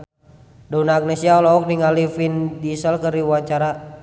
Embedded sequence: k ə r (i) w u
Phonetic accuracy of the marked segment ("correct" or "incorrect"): correct